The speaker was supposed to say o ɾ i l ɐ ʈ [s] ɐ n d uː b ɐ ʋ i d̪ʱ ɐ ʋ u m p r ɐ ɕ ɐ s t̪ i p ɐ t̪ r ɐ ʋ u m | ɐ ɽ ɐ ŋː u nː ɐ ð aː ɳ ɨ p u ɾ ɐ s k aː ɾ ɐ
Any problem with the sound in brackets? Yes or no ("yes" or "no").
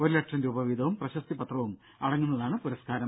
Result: yes